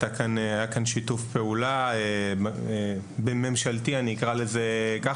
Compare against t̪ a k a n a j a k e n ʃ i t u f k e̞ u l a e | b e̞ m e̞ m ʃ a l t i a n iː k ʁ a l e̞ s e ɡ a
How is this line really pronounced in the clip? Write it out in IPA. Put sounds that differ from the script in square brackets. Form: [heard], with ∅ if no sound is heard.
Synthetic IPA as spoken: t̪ a k a n a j a k [a] n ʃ i t u f [p] e̞ u l a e | b e̞ m e̞ m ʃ a l t i a n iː k ʁ a l e̞ [z] e [k] a